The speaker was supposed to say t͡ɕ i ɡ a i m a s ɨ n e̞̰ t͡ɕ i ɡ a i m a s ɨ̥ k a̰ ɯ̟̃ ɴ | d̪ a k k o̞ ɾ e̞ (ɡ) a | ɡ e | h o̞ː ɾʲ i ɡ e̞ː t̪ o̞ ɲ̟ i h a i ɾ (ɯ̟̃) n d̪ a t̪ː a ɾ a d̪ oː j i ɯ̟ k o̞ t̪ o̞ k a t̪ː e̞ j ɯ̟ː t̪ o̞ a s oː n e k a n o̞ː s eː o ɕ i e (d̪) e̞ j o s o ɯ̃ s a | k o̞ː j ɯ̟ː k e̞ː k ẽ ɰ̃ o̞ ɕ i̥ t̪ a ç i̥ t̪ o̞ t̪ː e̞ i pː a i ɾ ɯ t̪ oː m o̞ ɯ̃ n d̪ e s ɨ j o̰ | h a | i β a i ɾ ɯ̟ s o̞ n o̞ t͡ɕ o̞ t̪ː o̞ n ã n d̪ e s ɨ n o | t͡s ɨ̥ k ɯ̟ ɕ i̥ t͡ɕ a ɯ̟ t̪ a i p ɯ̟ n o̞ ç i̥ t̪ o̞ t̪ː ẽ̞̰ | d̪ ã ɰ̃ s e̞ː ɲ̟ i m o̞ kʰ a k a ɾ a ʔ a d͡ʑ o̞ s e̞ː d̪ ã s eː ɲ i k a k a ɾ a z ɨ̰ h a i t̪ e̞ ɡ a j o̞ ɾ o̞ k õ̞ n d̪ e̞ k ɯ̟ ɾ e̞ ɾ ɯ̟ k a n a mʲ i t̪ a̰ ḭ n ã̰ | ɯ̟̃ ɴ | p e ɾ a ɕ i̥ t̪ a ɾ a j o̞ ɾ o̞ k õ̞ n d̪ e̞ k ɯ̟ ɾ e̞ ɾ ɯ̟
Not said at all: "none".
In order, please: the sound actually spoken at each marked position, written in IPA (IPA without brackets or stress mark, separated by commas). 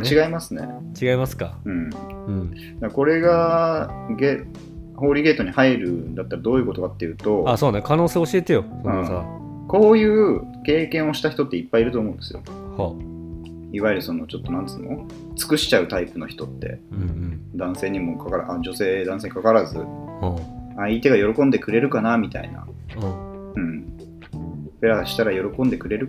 ɡ, ɯ̟, t̪